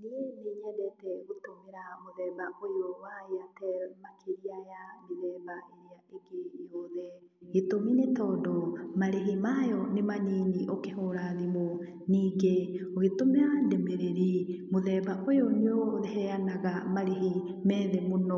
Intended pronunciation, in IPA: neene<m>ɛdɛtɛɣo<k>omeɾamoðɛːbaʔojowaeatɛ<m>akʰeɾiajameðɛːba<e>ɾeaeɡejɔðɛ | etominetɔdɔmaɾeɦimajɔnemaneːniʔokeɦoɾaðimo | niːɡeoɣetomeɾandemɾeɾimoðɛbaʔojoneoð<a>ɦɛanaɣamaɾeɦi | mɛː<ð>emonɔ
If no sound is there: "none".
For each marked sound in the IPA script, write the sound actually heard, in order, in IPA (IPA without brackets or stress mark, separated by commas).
ɲ, t, m, e, ɛ, ð